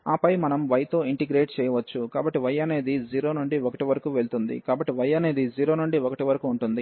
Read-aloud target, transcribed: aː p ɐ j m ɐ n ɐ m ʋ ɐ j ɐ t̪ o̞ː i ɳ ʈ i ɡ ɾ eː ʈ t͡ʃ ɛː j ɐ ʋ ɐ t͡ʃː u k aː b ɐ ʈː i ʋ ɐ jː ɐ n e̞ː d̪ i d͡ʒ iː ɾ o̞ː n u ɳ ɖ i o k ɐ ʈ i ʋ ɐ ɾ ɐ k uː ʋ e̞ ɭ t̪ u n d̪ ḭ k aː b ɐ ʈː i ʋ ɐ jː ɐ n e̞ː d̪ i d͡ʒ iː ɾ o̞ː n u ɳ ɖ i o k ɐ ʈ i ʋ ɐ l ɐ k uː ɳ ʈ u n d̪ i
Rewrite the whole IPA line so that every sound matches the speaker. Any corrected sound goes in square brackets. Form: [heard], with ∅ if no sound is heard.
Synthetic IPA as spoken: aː p ɐ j m ɐ n ɐ m ʋ ɐ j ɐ t̪ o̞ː i ɳ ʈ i ɡ ɾ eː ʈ t͡ʃ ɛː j ɐ ʋ ɐ t͡ʃː u k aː b ɐ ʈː i ʋ ɐ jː ɐ n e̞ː d̪ i d͡ʒ iː ɾ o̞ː n u ɳ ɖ i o k ɐ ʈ i ʋ ɐ ɾ ɐ k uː ʋ e̞ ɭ t̪ u n d̪ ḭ k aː b ɐ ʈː i ʋ ɐ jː ɐ n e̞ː d̪ i d͡ʒ iː ɾ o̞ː n u ɳ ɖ i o k ɐ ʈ i ʋ ɐ [ɾ] ɐ k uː ɳ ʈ u n d̪ i

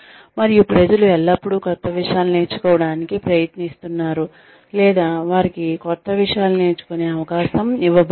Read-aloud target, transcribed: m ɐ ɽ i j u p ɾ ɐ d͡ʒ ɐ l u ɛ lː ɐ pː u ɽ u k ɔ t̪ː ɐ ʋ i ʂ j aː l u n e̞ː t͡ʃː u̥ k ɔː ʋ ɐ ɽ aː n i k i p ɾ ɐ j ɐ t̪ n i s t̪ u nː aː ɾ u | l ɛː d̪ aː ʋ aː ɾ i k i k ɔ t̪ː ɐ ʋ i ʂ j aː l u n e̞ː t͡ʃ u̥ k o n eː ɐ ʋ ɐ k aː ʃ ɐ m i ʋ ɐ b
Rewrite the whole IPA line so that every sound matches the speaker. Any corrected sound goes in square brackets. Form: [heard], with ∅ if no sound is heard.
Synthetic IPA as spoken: m ɐ [ɾ] i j u p ɾ ɐ d͡ʒ ɐ l u ɛ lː ɐ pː u ɽ u k ɔ t̪ː ɐ ʋ i ʂ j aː l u n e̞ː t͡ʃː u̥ k ɔː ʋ ɐ ɽ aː n i k i p ɾ ɐ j ɐ t̪ n i s t̪ u nː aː ɾ u | l ɛː d̪ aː ʋ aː ɾ i k i k ɔ t̪ː ɐ ʋ i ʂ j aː l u n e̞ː t͡ʃ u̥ k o n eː ɐ ʋ ɐ k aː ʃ ɐ m i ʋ ɐ b

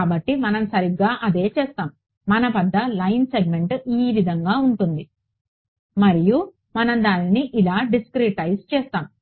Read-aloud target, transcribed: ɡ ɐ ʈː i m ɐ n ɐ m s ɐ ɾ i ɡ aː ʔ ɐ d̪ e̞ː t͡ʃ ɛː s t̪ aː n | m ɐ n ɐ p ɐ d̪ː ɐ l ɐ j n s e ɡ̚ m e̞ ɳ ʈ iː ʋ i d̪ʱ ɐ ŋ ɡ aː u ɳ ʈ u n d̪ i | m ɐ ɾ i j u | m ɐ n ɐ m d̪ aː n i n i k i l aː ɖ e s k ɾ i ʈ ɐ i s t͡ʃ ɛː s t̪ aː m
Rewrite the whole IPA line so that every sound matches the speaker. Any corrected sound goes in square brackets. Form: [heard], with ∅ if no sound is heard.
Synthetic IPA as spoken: [b] ɐ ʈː i m ɐ n ɐ m s ɐ ɾ i ɡ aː ʔ ɐ d̪ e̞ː t͡ʃ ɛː s t̪ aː [m] | m ɐ n ɐ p ɐ d̪ː ɐ l ɐ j n s e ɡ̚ m e̞ ɳ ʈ iː ʋ i d̪ʱ ɐ ŋ ɡ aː u ɳ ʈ u n d̪ i | m ɐ ɾ i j u | m ɐ n ɐ m d̪ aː n i n i [ʔ] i l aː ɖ [i] s k ɾ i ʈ ɐ [j] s t͡ʃ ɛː s t̪ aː m

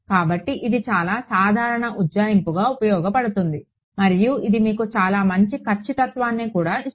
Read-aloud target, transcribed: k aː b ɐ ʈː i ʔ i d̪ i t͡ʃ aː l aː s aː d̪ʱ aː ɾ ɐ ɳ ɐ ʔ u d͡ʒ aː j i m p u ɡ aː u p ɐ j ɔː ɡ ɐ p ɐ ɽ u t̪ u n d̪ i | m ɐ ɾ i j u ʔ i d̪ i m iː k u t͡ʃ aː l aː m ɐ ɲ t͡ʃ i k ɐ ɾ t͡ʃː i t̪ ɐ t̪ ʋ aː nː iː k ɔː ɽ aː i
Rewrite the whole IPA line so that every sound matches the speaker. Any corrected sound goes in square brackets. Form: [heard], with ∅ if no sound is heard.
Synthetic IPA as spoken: k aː b ɐ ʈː i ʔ i d̪ i t͡ʃ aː l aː s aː d̪ʱ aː ɾ ɐ ɳ ɐ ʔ u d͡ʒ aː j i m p u ɡ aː u p ɐ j ɔː ɡ ɐ p ɐ ɽ u t̪ u n d̪ i | m ɐ ɾ i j u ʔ i d̪ i m iː k u t͡ʃ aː l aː m ɐ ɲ t͡ʃ i k ɐ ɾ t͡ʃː i t̪ ɐ t̪ ʋ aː nː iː k [uː] ɽ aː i

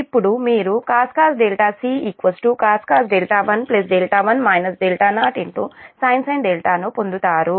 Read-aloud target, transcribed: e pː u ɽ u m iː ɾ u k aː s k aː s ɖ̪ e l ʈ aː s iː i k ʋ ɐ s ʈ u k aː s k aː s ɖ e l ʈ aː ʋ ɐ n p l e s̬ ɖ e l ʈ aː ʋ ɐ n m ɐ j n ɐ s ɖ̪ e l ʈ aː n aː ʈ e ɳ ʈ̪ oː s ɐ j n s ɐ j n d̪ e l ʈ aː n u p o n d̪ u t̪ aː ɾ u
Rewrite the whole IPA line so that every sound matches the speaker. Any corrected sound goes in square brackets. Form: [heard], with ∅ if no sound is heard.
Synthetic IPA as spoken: [i] pː u ɽ u m iː ɾ u k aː s k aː s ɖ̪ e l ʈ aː s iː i k ʋ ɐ s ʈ u k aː s k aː s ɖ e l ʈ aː ʋ ɐ n p l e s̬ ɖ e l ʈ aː ʋ ɐ n m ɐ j n ɐ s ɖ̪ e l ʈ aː n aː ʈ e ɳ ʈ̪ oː s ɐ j n s ɐ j n d̪ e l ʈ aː n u p o n d̪ u t̪ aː ɾ u

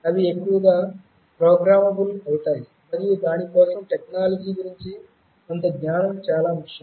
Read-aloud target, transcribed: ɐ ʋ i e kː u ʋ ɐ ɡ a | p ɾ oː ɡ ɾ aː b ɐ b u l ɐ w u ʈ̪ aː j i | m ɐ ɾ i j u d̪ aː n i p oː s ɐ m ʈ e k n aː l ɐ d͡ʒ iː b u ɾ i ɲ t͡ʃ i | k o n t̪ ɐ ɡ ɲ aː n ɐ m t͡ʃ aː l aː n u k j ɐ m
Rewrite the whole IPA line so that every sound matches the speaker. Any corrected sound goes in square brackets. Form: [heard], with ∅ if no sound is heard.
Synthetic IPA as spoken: ɐ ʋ i e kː u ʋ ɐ ɡ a | p ɾ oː ɡ ɾ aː [m] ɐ b u l ɐ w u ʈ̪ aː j i | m ɐ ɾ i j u d̪ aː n i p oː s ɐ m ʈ e k n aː l ɐ d͡ʒ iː [ɡ] u ɾ i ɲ t͡ʃ i | k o n t̪ ɐ ɡ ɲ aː n ɐ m t͡ʃ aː l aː [m] u k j ɐ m

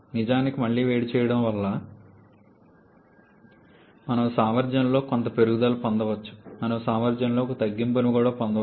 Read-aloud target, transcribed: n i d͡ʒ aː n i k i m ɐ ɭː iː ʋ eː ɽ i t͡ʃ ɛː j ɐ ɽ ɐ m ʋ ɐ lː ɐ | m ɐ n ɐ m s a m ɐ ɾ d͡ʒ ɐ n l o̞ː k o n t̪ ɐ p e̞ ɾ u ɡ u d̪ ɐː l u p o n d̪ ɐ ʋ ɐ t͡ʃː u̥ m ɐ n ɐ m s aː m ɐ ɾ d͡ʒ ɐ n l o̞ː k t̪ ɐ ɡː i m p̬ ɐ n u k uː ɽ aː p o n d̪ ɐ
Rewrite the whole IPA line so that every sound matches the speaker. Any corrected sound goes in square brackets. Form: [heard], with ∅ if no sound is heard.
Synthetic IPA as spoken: n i d͡ʒ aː n i k i m ɐ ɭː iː ʋ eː ɽ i t͡ʃ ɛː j ɐ ɽ ɐ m ʋ ɐ lː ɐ | m ɐ n ɐ m s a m ɐ ɾ d͡ʒ ɐ n l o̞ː k o n t̪ ɐ p e̞ ɾ u ɡ u d̪ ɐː l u p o n d̪ ɐ ʋ ɐ t͡ʃː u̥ m ɐ n ɐ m s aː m ɐ ɾ d͡ʒ ɐ n l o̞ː k t̪ ɐ ɡː i m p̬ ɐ n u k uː ɽ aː p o n d̪ ɐ

